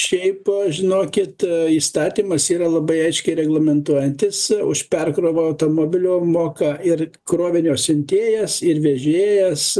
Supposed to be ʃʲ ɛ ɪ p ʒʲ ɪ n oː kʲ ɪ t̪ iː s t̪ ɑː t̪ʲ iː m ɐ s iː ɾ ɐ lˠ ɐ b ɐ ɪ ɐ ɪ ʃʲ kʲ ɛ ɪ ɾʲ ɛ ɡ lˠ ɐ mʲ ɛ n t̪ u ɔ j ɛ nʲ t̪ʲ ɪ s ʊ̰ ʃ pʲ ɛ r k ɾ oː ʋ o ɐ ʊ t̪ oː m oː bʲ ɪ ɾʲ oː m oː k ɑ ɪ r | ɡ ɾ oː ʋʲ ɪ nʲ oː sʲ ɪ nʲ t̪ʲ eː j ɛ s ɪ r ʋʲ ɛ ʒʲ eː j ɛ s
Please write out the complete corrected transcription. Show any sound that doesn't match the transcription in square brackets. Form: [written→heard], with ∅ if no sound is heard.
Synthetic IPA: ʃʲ ɛ ɪ p ʒʲ ɪ n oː kʲ ɪ t̪ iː s t̪ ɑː t̪ʲ iː m ɐ s iː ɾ ɐ lˠ ɐ b ɐ ɪ ɐ ɪ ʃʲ kʲ ɛ ɪ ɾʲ ɛ ɡ lˠ ɐ mʲ ɛ n t̪ u ɔ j ɛ nʲ t̪ʲ ɪ s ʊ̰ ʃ pʲ ɛ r k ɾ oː ʋ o ɐ ʊ t̪ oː m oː bʲ ɪ [ɾʲ→lʲ] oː m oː k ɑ ɪ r | [ɡ→k] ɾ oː ʋʲ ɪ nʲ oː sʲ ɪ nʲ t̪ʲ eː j ɛ s ɪ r ʋʲ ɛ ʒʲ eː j ɛ s

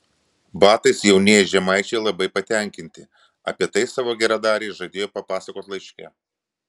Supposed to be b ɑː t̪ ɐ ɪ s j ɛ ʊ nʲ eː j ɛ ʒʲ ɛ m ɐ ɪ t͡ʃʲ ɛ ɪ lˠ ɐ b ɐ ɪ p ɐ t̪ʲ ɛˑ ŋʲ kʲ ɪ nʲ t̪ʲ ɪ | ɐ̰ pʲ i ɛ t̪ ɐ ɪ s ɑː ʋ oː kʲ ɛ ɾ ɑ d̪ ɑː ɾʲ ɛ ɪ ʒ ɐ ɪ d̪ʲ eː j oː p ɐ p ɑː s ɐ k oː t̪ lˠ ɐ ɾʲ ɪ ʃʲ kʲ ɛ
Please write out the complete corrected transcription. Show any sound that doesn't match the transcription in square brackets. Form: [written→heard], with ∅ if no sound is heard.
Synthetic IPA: b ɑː t̪ ɐ ɪ s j ɛ ʊ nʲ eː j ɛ ʒʲ ɛ m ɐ ɪ t͡ʃʲ ɛ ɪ lˠ ɐ b ɐ ɪ p ɐ t̪ʲ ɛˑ ŋʲ kʲ ɪ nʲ t̪ʲ ɪ | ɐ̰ pʲ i ɛ t̪ ɐ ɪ s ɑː ʋ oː [kʲ→ɡʲ] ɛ ɾ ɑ d̪ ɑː ɾʲ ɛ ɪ ʒ ɐ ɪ d̪ʲ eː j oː p ɐ p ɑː s ɐ k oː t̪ lˠ ɐ [ɾʲ→∅] ɪ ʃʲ kʲ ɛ

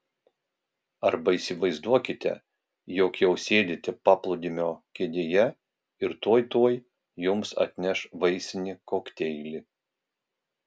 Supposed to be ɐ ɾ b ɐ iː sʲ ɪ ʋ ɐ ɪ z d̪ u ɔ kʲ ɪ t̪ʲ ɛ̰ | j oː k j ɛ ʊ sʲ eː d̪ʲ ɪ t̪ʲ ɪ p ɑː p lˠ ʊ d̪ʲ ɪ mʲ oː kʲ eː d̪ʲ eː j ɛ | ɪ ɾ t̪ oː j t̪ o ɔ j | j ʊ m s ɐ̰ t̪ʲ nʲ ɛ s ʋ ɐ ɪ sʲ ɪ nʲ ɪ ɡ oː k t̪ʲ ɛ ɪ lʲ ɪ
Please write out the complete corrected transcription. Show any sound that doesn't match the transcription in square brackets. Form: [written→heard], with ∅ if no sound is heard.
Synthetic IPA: ɐ ɾ b ɐ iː sʲ ɪ ʋ ɐ ɪ z d̪ u ɔ kʲ ɪ t̪ʲ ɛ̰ | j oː k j ɛ ʊ sʲ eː d̪ʲ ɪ t̪ʲ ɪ p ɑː p lˠ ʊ d̪ʲ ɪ mʲ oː kʲ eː d̪ʲ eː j ɛ | ɪ ɾ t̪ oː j t̪ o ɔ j | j ʊ m s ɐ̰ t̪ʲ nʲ ɛ [s→ʃ] ʋ ɐ ɪ sʲ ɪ nʲ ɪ [ɡ→k] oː k t̪ʲ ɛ ɪ lʲ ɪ

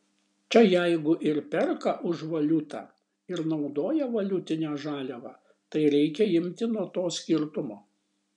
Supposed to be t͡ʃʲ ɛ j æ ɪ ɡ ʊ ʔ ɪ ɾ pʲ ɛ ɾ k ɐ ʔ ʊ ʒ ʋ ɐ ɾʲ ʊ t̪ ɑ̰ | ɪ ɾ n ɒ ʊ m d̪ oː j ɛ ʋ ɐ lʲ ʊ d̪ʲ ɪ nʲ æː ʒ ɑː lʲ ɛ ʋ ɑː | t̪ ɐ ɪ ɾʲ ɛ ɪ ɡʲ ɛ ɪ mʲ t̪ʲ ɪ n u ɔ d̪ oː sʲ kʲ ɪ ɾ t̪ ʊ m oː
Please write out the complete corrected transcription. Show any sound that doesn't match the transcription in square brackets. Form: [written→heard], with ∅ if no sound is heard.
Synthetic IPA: t͡ʃʲ ɛ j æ ɪ ɡ ʊ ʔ ɪ ɾ pʲ ɛ ɾ k ɐ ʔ ʊ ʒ ʋ ɐ [ɾʲ→lʲ] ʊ t̪ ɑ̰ | ɪ ɾ n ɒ ʊ [m→∅] d̪ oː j ɛ ʋ ɐ lʲ ʊ [d̪ʲ→t̪ʲ] ɪ nʲ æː ʒ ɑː lʲ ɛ ʋ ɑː | t̪ ɐ ɪ ɾʲ ɛ ɪ [ɡʲ→kʲ] ɛ ɪ mʲ t̪ʲ ɪ n u ɔ [d̪→t̪] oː sʲ kʲ ɪ ɾ t̪ ʊ m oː

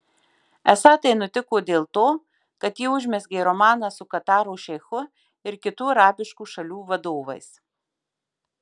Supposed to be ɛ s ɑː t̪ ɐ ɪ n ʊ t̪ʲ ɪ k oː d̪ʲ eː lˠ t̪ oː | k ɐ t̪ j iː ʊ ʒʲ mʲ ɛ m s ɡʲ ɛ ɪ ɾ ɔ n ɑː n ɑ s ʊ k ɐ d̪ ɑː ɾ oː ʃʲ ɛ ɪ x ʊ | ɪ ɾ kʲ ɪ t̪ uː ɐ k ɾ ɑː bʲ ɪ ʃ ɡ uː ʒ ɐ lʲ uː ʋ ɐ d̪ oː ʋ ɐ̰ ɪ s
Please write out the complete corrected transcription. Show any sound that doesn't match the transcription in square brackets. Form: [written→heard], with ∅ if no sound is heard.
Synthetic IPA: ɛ s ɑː t̪ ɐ ɪ n ʊ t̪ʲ ɪ k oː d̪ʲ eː lˠ t̪ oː | k ɐ t̪ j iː ʊ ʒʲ mʲ ɛ [m→∅] s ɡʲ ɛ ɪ ɾ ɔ [n→m] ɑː n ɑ s ʊ k ɐ [d̪→t̪] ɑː ɾ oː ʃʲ ɛ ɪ x ʊ | ɪ ɾ kʲ ɪ t̪ uː ɐ [k→∅] ɾ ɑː bʲ ɪ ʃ [ɡ→k] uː [ʒ→ʃ] ɐ lʲ uː ʋ ɐ d̪ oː ʋ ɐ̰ ɪ s

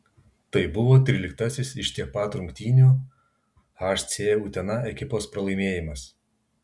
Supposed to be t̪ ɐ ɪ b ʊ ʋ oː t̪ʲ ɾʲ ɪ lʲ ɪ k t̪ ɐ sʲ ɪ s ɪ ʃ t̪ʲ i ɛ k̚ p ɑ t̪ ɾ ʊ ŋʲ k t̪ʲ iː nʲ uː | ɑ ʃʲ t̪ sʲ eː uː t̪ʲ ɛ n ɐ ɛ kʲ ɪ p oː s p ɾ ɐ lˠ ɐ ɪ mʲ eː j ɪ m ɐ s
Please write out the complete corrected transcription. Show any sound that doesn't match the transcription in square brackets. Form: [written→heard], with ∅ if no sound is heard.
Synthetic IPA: t̪ ɐ ɪ b ʊ ʋ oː t̪ʲ ɾʲ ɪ lʲ ɪ k t̪ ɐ sʲ ɪ s ɪ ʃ t̪ʲ i ɛ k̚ p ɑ t̪ ɾ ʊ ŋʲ k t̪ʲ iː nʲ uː | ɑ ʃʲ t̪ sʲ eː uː t̪ʲ ɛ n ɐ ɛ kʲ ɪ p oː s p ɾ ɐ lˠ ɐ ɪ mʲ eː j ɪ m ɐ s

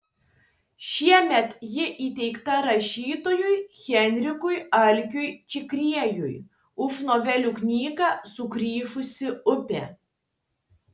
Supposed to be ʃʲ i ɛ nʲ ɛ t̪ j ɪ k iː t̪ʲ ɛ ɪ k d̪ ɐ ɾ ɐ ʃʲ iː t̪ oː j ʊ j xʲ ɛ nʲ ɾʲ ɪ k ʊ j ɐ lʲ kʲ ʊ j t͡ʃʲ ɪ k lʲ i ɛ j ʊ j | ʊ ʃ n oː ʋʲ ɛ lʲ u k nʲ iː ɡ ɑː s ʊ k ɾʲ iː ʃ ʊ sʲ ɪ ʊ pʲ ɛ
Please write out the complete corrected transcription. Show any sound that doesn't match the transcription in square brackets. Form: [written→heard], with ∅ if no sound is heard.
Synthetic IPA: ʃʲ i ɛ [nʲ→mʲ] ɛ t̪ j ɪ [k→ʔ] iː t̪ʲ ɛ ɪ k [d̪→t̪] ɐ ɾ ɐ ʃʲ iː t̪ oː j ʊ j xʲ ɛ nʲ ɾʲ ɪ k ʊ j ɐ lʲ kʲ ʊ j t͡ʃʲ ɪ k [lʲ→ɾʲ] i ɛ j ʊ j | ʊ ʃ n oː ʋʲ ɛ lʲ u k nʲ iː ɡ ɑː s ʊ k ɾʲ iː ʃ ʊ sʲ ɪ ʊ pʲ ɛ

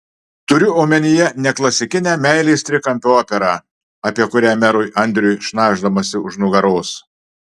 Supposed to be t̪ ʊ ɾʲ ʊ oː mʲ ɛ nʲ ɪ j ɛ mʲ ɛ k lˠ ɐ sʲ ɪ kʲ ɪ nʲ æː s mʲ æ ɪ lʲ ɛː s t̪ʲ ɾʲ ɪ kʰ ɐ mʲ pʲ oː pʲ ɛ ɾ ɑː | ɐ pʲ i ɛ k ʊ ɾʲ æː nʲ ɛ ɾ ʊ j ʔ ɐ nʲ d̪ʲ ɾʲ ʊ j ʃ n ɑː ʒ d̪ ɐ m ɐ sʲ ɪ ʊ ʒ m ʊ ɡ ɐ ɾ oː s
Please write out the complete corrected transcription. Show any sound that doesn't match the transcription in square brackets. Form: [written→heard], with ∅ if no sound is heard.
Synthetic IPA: t̪ ʊ ɾʲ ʊ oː mʲ ɛ nʲ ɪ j ɛ [mʲ→nʲ] ɛ k lˠ ɐ sʲ ɪ kʲ ɪ nʲ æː [s→∅] mʲ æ ɪ lʲ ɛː s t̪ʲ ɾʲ ɪ [kʰ→k] ɐ mʲ pʲ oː pʲ ɛ ɾ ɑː | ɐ pʲ i ɛ k ʊ ɾʲ æː [nʲ→mʲ] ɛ ɾ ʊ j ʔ ɐ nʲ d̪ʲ ɾʲ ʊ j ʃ n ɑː ʒ d̪ ɐ m ɐ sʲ ɪ ʊ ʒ [m→n] ʊ ɡ ɐ ɾ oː s

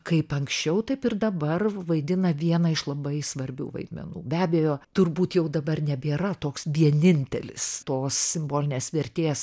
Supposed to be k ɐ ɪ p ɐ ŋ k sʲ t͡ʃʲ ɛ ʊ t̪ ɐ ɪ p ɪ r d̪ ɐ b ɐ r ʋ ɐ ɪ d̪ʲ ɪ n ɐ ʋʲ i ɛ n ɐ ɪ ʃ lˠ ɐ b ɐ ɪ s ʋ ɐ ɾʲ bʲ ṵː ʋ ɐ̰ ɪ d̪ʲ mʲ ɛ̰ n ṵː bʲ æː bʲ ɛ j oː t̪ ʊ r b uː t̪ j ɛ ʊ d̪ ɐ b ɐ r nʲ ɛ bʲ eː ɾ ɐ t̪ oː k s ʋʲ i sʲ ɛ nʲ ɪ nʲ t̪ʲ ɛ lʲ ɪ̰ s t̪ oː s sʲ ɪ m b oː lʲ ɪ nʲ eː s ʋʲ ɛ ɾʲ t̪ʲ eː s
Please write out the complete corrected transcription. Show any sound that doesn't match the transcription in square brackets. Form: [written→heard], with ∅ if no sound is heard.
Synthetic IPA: k ɐ ɪ p ɐ ŋ k sʲ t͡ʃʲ ɛ ʊ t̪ ɐ ɪ p ɪ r d̪ ɐ b ɐ r ʋ ɐ ɪ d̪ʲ ɪ n ɐ ʋʲ i ɛ n ɐ ɪ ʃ lˠ ɐ b ɐ ɪ s ʋ ɐ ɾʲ bʲ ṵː ʋ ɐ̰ ɪ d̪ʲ mʲ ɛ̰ n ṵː bʲ æː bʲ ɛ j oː t̪ ʊ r b uː t̪ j ɛ ʊ d̪ ɐ b ɐ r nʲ ɛ bʲ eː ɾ ɐ t̪ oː k s ʋʲ i [sʲ→∅] ɛ nʲ ɪ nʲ t̪ʲ ɛ lʲ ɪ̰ s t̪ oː s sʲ ɪ m b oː lʲ ɪ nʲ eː s ʋʲ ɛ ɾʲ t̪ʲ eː s

